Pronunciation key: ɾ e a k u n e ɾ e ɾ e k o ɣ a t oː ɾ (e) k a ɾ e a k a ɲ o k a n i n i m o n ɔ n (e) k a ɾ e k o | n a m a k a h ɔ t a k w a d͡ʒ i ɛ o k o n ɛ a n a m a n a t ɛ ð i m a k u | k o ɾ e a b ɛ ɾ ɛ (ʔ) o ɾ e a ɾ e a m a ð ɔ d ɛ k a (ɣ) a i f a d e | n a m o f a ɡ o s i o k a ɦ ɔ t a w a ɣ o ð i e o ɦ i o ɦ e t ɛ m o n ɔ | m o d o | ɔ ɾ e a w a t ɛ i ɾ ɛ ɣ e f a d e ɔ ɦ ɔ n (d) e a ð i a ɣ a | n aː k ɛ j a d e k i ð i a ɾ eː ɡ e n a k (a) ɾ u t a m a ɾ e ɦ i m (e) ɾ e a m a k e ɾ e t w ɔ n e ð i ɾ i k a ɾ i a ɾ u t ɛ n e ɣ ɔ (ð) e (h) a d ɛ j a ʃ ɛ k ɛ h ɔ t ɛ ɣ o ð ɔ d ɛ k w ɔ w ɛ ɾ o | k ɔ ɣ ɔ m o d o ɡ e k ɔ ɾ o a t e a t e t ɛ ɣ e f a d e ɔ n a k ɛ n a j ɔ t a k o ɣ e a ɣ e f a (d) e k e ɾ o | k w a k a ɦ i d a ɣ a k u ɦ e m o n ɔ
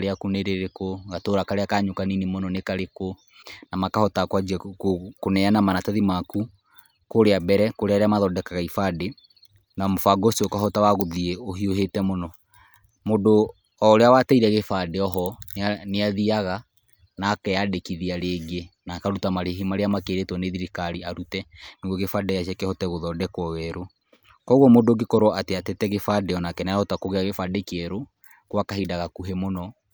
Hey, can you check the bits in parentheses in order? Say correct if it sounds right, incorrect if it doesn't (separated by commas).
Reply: incorrect, correct, incorrect, correct, incorrect, correct, incorrect, incorrect, incorrect, correct